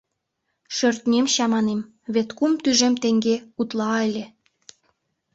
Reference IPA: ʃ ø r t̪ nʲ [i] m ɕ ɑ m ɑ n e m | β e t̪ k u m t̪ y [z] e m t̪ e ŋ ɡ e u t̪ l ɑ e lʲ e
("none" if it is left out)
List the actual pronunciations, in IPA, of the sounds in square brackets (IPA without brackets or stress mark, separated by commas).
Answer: e, ʒ